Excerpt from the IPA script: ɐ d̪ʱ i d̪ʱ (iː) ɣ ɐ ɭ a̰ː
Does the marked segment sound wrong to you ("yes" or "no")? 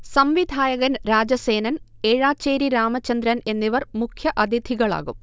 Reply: yes